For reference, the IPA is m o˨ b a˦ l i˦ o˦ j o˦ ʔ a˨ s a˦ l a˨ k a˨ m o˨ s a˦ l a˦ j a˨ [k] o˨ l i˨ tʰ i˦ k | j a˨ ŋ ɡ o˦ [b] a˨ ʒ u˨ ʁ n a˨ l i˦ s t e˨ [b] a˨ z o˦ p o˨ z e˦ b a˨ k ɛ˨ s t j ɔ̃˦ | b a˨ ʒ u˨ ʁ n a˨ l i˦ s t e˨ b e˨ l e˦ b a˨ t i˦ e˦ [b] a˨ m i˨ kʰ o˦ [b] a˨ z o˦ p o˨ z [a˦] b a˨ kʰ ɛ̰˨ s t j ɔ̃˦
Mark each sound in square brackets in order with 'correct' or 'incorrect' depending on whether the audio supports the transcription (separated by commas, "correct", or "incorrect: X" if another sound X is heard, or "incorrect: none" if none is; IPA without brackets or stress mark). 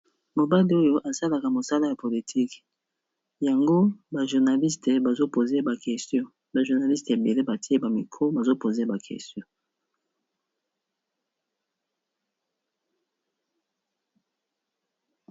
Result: incorrect: p, correct, correct, correct, correct, incorrect: e˦